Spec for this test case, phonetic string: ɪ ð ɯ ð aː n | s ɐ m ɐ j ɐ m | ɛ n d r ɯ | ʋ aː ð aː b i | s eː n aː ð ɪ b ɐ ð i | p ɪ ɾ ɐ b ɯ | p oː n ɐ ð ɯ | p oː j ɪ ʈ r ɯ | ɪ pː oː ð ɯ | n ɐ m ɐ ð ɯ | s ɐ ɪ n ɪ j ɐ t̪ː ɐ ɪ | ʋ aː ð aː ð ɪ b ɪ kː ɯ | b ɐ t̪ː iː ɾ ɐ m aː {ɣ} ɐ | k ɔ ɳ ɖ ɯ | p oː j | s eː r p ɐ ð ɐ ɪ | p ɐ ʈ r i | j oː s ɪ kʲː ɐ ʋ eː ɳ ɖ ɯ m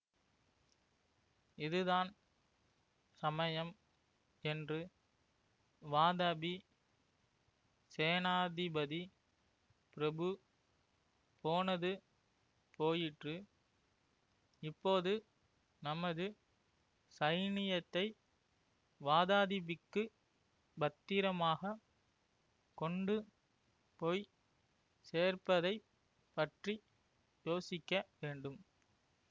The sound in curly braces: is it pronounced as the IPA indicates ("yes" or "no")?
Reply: yes